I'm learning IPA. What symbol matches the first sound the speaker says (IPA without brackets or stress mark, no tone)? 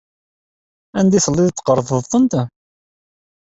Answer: æ